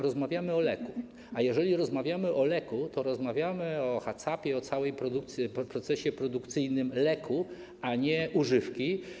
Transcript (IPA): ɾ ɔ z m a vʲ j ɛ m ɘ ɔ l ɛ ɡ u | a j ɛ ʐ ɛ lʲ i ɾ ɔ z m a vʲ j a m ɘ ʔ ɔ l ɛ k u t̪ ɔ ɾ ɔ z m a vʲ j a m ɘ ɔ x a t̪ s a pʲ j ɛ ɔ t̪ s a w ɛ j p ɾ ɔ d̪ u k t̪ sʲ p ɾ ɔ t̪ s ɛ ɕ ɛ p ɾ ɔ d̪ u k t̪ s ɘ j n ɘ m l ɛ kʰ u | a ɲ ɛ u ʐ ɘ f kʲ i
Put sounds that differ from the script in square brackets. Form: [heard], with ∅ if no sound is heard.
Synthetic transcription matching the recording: ɾ ɔ z m a vʲ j [a] m ɘ ɔ l ɛ [k] u | a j ɛ ʐ ɛ lʲ i ɾ ɔ z m a vʲ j a m ɘ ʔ ɔ l ɛ k u t̪ ɔ ɾ ɔ z m a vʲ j a m ɘ ɔ x a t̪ s a pʲ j ɛ ɔ t̪ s a w ɛ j p ɾ ɔ d̪ u k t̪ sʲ p ɾ ɔ t̪ s ɛ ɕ ɛ p ɾ ɔ d̪ u k t̪ s ɘ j n ɘ m l ɛ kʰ u | a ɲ ɛ u ʐ ɘ f kʲ i